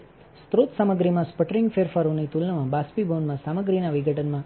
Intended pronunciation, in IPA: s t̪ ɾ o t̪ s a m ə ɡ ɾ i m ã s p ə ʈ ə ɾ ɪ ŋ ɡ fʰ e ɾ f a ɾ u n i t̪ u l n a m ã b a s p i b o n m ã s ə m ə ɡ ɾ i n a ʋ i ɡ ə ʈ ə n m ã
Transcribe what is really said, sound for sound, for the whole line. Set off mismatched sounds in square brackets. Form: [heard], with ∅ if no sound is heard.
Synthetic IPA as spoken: s t̪ ɾ o t̪ s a m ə ɡ ɾ i m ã s p ə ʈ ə ɾ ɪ ŋ ɡ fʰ e ɾ f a ɾ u n i t̪ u l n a m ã b a s p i b o n m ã s [a] m ə ɡ ɾ i n a ʋ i ɡ ə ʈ ə n m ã